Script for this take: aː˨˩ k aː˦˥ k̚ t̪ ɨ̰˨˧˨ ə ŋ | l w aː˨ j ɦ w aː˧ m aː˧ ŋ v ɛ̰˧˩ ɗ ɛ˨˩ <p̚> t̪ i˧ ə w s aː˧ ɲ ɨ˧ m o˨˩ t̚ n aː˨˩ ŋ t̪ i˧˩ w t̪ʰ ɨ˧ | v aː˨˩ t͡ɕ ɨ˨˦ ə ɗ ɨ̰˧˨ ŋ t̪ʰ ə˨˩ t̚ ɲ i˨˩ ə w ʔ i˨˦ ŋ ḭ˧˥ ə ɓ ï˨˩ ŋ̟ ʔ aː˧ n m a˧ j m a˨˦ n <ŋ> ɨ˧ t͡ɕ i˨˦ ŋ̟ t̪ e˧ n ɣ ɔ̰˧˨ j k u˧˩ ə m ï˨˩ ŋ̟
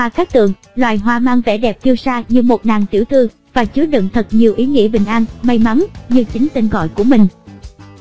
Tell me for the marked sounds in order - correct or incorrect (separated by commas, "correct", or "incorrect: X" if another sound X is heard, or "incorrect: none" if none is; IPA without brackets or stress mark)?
correct, incorrect: ɲ